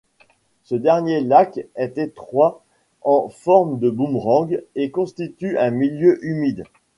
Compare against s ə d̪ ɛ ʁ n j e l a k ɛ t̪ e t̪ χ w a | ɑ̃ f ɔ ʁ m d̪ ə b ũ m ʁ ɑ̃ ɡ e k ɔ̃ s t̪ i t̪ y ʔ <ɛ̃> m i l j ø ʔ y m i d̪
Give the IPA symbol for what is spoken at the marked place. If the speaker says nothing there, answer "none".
ɛ̃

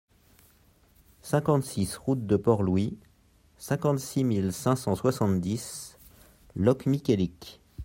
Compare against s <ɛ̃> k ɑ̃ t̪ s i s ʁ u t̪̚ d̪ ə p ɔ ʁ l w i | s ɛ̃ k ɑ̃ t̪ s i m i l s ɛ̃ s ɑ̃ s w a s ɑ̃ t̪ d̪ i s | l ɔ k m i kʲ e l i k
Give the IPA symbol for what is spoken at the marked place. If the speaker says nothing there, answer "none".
ɛ̃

